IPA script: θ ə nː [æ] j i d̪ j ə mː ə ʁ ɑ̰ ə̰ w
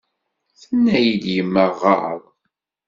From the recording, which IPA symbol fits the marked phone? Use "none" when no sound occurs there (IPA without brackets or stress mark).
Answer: æ